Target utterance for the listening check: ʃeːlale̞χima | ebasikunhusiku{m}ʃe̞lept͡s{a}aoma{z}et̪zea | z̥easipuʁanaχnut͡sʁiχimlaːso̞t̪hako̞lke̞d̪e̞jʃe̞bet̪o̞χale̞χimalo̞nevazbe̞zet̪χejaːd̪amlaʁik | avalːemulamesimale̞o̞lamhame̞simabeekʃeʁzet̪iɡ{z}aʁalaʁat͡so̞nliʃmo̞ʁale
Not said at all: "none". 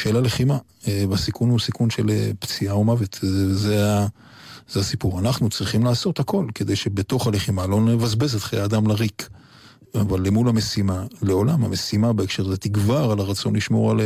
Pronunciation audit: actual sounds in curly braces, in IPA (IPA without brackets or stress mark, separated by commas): n, i, v, v